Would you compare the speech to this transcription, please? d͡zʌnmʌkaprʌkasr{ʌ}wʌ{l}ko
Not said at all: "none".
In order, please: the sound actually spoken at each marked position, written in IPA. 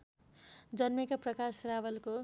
a, l

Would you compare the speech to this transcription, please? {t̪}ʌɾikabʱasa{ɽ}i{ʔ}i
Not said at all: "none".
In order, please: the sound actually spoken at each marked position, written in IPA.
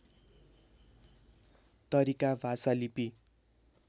t̪, l, p

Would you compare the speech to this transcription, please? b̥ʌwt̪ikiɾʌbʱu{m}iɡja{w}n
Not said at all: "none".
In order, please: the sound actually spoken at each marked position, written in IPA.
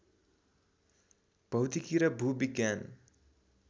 b, none

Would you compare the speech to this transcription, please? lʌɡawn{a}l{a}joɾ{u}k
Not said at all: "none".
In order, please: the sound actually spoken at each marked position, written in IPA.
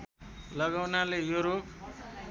a, e, o

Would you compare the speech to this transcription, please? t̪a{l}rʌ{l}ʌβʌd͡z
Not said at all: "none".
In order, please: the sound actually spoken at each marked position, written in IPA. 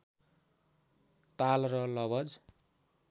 l, l

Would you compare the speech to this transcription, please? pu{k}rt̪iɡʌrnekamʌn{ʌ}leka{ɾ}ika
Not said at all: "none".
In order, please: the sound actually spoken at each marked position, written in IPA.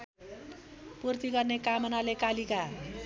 none, a, l

